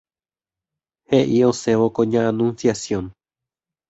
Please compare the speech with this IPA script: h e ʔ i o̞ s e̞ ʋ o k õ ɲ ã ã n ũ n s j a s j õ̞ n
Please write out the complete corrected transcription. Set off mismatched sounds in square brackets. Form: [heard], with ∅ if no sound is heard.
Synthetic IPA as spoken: h e ʔ i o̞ s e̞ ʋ o k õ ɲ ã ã n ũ n s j a s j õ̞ n